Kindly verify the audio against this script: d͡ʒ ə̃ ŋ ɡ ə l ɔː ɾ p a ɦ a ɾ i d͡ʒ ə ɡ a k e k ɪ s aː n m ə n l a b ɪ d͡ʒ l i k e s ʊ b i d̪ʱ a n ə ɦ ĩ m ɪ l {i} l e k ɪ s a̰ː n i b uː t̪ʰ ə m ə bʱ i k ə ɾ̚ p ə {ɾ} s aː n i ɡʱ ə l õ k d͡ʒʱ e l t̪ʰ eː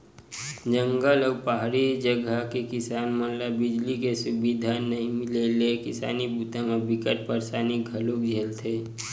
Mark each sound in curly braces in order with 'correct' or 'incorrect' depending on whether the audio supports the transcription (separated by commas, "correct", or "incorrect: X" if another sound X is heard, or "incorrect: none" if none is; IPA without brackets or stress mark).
incorrect: e, correct